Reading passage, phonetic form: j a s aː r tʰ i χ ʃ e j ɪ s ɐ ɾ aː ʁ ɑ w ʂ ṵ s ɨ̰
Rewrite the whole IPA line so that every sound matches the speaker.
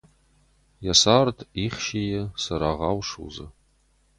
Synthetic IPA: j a s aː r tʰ i χ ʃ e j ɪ s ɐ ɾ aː ʁ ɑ w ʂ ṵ z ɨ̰